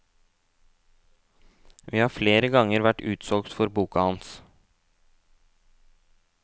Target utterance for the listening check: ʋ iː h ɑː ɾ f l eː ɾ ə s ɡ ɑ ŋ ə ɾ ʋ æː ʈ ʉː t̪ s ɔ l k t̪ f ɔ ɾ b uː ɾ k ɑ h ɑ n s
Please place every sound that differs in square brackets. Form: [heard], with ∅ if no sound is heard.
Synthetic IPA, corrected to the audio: ʋ iː h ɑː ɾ f l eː ɾ ə [∅] ɡ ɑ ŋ ə ɾ ʋ [æ] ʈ ʉː t̪ s ɔ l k t̪ f ɔ ɾ b uː [∅] k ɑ h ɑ n s